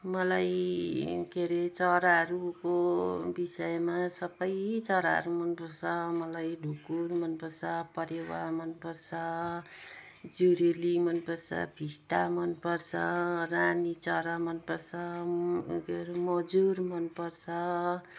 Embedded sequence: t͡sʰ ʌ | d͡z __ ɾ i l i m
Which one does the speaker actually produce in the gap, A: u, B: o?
A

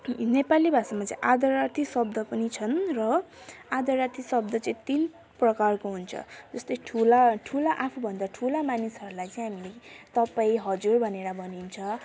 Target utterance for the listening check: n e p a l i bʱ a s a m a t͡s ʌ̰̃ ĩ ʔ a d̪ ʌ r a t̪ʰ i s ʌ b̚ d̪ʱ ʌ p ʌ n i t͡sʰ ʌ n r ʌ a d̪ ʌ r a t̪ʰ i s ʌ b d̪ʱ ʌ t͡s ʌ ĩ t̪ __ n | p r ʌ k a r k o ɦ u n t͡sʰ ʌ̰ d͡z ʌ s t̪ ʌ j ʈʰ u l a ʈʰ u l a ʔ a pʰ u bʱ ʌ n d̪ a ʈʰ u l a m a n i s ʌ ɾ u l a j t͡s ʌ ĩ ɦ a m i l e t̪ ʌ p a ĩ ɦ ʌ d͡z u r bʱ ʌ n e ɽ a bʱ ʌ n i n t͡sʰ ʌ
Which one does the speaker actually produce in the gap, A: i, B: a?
A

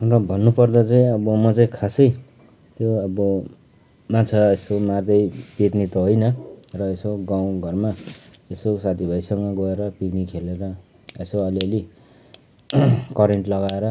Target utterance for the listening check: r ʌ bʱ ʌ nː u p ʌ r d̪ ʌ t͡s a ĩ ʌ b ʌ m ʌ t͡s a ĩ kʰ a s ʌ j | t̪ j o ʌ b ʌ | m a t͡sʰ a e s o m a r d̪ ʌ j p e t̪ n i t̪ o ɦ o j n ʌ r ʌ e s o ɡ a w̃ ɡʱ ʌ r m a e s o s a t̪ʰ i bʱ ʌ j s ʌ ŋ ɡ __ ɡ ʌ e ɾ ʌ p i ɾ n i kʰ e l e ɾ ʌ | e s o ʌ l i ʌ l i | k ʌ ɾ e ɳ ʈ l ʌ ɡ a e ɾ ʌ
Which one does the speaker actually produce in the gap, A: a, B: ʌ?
B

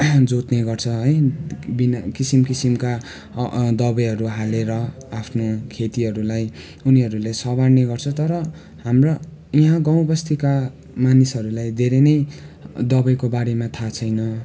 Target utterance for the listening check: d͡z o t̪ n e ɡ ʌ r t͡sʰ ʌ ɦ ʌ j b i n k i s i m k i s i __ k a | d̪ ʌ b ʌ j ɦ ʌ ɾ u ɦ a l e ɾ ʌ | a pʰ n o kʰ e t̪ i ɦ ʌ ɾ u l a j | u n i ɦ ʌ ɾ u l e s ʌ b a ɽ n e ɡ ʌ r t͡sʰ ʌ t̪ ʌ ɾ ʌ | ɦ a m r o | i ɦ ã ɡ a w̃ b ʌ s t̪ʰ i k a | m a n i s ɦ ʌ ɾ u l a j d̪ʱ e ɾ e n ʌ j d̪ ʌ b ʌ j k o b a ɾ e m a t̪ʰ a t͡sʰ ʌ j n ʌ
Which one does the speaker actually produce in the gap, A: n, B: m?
B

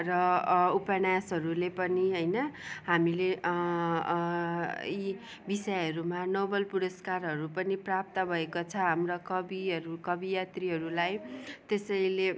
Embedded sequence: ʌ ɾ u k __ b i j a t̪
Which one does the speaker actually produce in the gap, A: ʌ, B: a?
A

